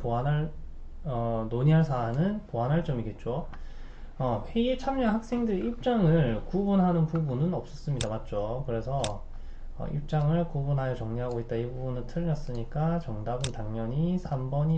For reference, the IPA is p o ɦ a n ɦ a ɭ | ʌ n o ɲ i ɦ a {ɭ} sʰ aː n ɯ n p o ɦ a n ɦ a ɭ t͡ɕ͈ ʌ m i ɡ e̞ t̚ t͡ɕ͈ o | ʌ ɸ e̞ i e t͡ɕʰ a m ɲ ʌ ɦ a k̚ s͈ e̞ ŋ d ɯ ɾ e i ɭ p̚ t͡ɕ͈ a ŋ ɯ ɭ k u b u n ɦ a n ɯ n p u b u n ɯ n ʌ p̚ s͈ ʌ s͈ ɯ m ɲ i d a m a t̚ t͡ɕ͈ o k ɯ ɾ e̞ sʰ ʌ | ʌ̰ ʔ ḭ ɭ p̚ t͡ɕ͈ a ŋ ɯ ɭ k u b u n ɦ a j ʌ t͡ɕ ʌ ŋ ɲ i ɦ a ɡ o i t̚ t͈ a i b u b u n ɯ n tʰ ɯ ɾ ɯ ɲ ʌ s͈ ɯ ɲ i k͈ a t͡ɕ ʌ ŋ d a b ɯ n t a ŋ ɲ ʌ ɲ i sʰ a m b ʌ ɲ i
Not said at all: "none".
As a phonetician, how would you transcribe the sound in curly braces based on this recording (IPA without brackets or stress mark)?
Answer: ɭ